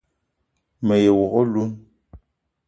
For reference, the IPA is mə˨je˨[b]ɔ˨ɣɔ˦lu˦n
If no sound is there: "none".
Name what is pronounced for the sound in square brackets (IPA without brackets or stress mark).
w